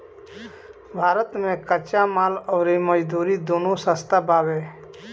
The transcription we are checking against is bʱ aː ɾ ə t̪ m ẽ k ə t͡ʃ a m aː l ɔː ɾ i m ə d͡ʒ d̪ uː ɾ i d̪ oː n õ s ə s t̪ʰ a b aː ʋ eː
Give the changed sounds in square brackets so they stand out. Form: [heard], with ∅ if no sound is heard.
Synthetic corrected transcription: bʱ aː ɾ ə t̪ m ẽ k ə t͡ʃ a m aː l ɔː ɾ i m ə d͡ʒ d̪ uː ɾ i d̪ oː n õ s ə s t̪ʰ a b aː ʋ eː

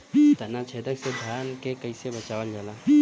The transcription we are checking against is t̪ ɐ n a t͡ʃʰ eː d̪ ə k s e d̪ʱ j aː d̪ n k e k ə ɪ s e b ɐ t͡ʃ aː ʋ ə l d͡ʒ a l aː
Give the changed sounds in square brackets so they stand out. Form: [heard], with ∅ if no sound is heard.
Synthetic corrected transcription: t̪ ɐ n a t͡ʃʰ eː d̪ ə k s e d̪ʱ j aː [∅] n k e k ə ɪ s e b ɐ t͡ʃ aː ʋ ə l d͡ʒ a l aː

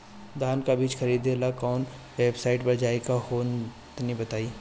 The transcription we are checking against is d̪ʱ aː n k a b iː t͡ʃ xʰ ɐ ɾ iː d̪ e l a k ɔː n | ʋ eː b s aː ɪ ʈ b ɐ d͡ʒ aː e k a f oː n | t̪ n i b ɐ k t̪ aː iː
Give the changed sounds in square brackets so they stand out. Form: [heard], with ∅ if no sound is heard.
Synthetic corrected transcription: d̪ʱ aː n k a b iː t͡ʃ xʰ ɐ ɾ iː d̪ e l a k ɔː n | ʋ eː b s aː ɪ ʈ b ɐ d͡ʒ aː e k a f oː n | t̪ n i b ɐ [∅] t̪ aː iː

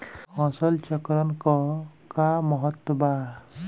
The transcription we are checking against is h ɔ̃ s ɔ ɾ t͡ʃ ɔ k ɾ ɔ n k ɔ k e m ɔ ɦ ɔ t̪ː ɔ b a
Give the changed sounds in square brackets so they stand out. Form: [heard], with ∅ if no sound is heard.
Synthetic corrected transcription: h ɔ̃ s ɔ [l] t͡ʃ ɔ k ɾ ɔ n k ɔ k [a] m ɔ ɦ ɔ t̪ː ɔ b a

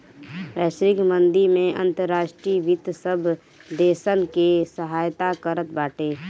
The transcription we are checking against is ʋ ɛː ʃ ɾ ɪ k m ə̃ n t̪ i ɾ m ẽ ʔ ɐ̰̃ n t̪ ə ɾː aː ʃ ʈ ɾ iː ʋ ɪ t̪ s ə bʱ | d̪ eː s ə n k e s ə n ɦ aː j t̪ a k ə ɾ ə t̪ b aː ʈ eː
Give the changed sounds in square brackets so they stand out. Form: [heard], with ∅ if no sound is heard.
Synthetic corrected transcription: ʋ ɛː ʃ ɾ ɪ k m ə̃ n [d̪] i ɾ m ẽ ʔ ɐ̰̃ n t̪ ə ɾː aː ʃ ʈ ɾ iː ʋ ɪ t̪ s ə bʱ | d̪ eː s ə n k e s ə [∅] ɦ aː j t̪ a k ə ɾ ə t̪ b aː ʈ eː

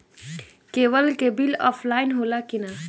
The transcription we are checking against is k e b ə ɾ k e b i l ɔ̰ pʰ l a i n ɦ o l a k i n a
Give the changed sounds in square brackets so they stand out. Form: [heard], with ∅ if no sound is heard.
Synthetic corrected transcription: k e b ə [l] k e b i l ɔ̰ pʰ l a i n ɦ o l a k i n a

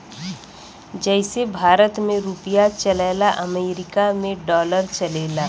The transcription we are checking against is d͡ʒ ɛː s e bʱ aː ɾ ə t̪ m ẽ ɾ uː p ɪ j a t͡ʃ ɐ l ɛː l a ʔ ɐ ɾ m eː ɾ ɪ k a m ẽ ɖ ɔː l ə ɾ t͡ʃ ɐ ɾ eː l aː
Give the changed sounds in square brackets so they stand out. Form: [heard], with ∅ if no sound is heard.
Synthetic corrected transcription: d͡ʒ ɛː s e bʱ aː ɾ ə t̪ m ẽ ɾ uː p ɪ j a t͡ʃ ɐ l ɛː l a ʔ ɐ [∅] m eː ɾ ɪ k a m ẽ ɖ ɔː l ə ɾ t͡ʃ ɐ [l] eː l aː

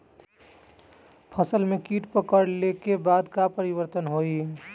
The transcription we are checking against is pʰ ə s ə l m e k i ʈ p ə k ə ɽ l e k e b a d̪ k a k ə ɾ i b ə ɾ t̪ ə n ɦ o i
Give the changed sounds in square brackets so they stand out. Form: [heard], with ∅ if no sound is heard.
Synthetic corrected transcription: pʰ ə s ə l m e k i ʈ p ə k ə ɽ l e k e b a d̪ k a [p] ə ɾ i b ə ɾ t̪ ə n ɦ o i

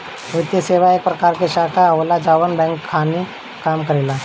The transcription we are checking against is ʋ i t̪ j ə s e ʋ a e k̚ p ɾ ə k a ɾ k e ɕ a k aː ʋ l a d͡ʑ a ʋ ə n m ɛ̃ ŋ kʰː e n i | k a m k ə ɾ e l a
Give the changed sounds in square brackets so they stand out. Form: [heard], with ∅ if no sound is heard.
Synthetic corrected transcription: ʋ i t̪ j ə s e ʋ a e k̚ p ɾ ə k a ɾ k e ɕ a k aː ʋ l a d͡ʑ a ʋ ə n [b] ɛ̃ ŋ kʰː [a] n i | k a m k ə ɾ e l a

